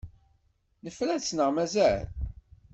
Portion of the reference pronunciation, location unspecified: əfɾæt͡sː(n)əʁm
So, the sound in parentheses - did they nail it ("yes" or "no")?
yes